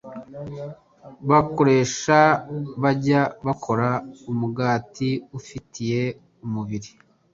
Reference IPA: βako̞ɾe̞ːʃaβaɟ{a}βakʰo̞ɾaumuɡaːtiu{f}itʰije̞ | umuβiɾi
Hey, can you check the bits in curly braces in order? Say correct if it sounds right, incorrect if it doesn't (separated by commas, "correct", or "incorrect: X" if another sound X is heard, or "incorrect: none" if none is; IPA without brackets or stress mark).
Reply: correct, correct